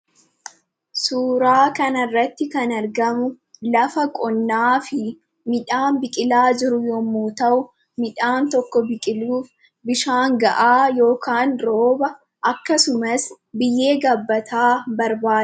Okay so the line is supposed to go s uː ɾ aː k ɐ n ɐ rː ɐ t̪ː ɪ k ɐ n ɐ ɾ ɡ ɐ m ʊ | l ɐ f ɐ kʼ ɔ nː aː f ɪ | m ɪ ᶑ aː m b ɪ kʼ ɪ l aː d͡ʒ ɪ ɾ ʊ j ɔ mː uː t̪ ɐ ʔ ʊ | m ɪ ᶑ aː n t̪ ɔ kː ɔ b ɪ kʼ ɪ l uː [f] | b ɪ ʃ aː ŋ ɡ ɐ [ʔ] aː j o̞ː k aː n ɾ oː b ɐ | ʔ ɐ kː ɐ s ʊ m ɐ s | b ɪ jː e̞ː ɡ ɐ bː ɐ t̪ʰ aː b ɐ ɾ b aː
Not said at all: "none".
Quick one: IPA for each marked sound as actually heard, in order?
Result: f, ʔ

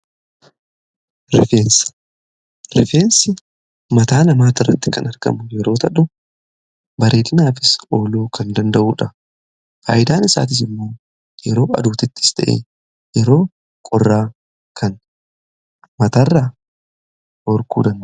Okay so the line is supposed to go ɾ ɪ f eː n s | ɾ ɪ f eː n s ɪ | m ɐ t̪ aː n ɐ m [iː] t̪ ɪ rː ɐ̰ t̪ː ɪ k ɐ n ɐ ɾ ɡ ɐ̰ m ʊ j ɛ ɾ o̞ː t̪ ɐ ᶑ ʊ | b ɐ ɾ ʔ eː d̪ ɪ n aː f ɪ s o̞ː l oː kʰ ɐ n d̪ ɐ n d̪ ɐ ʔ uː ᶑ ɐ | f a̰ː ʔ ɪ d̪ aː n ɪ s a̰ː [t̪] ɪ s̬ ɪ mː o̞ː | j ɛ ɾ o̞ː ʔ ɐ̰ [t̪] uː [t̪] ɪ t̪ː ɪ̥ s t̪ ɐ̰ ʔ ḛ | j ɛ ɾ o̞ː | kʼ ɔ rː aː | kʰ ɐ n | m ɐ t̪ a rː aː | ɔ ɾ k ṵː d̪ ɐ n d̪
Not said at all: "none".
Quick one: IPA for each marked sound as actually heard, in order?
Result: aː, t̪, d̪, t̪

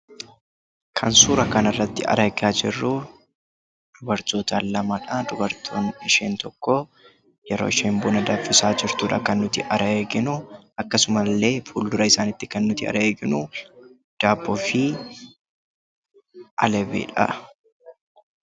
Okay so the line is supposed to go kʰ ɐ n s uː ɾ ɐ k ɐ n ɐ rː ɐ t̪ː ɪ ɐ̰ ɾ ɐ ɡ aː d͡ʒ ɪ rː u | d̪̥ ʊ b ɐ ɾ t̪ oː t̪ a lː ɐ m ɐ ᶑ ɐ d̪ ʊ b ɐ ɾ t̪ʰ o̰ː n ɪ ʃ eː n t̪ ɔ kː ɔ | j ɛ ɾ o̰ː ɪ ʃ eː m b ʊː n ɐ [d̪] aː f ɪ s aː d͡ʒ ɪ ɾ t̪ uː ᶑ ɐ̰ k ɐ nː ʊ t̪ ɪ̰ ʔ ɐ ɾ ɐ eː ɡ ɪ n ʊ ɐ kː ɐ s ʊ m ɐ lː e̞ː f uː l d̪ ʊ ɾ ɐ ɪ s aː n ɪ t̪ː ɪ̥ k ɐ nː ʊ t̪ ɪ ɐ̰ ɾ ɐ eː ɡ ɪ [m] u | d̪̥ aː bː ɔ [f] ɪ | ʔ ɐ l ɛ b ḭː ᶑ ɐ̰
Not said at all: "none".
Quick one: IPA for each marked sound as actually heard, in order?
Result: d̪, n, f

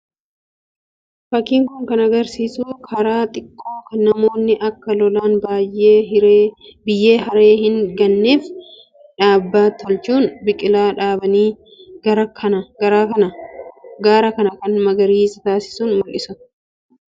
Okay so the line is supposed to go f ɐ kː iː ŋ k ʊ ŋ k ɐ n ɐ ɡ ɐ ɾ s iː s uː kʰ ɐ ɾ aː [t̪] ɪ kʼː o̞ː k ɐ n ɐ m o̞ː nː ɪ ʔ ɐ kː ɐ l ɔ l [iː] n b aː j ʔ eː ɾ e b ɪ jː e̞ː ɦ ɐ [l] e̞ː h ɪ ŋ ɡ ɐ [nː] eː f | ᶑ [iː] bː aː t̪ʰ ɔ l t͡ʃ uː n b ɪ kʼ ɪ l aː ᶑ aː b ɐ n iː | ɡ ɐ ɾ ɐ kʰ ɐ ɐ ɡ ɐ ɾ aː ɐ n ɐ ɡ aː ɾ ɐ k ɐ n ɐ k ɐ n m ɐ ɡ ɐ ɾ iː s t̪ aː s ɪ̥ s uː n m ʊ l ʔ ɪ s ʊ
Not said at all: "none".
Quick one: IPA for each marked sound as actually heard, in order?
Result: t̪ʼ, aː, ɾ, nː, aː

